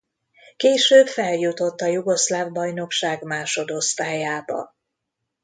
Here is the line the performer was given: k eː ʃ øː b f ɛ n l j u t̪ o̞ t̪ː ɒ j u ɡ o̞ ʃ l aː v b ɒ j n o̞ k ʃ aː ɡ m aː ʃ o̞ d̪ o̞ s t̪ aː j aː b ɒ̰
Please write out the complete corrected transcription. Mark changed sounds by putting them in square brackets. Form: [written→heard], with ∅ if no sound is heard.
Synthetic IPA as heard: k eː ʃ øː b f ɛ [n→∅] l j u t̪ o̞ t̪ː ɒ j u ɡ o̞ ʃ l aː v b ɒ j n o̞ k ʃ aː ɡ m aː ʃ o̞ d̪ o̞ s t̪ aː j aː b ɒ̰